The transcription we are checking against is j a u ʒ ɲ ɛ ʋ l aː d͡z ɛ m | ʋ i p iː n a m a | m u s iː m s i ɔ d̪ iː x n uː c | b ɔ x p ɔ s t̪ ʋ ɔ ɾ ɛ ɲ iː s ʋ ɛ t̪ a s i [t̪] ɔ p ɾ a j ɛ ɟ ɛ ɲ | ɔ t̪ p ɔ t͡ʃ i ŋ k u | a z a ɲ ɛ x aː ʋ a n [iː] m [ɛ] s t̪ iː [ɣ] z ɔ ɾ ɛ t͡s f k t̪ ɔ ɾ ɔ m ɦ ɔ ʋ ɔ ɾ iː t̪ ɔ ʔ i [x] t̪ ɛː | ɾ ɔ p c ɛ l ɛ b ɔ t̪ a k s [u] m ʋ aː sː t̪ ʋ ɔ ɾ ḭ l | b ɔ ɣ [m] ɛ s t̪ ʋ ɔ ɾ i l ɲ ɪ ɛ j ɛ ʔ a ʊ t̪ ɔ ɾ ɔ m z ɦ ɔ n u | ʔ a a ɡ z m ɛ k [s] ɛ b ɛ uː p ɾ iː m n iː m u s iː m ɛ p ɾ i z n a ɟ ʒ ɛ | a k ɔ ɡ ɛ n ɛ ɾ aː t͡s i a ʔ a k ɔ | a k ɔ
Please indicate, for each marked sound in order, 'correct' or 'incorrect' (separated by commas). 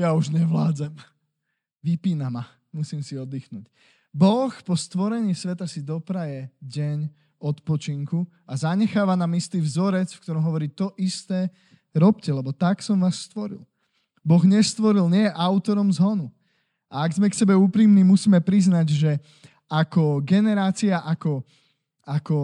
incorrect, incorrect, incorrect, incorrect, incorrect, incorrect, incorrect, correct